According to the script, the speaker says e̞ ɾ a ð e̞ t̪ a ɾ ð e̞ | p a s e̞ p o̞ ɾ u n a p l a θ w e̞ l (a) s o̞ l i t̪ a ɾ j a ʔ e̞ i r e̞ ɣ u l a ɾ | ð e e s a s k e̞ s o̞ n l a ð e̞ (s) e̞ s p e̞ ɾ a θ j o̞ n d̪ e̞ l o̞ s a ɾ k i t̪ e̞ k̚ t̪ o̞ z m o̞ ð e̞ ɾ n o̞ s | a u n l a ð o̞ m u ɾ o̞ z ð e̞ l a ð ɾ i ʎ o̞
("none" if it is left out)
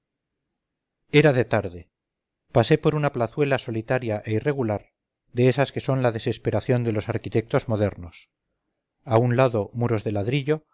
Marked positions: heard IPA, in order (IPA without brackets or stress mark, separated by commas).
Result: a, s